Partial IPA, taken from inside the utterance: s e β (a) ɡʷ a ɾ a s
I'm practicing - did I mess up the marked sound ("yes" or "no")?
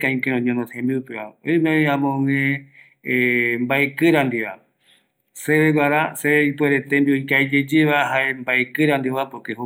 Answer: yes